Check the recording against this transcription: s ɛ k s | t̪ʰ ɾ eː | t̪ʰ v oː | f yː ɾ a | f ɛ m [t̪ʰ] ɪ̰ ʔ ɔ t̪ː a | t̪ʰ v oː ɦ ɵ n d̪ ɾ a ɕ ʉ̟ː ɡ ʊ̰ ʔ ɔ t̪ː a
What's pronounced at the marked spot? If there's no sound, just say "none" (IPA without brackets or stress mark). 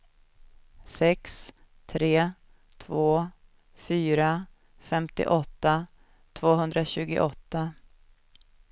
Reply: t̪